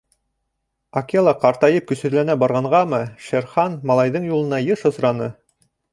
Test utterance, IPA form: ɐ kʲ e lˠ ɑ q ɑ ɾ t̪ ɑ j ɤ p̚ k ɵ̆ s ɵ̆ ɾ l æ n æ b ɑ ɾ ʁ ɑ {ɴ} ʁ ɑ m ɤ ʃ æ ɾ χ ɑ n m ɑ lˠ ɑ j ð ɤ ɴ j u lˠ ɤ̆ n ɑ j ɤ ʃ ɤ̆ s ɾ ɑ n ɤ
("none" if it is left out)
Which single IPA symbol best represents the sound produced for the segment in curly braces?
ɴ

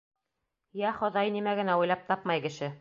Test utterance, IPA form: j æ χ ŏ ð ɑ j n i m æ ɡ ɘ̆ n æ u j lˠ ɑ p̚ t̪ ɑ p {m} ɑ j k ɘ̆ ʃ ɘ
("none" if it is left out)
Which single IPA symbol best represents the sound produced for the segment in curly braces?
m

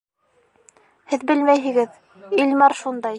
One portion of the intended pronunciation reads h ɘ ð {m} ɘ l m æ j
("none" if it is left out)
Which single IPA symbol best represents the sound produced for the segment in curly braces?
b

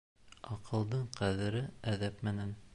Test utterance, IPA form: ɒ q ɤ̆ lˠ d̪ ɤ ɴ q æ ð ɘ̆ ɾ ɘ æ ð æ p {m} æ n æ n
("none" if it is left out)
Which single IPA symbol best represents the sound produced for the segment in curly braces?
m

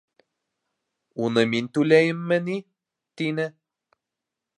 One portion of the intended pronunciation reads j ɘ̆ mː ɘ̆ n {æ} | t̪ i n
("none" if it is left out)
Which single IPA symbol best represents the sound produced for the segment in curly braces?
i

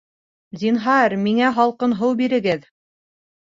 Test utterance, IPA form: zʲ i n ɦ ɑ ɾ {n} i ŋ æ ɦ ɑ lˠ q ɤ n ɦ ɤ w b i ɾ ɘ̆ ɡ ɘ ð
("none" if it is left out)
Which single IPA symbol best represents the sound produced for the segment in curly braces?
m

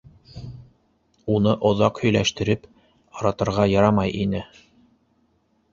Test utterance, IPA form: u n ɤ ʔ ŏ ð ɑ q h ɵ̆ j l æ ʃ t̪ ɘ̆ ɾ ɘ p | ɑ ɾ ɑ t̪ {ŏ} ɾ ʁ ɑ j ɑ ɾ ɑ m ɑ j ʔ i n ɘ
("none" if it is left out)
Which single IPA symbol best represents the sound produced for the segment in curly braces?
ɤ̆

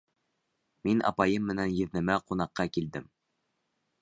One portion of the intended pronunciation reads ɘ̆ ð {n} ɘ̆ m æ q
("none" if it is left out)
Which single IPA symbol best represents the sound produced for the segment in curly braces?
n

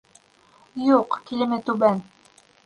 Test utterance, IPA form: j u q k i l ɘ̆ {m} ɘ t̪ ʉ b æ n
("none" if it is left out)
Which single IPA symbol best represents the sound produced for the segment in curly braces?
m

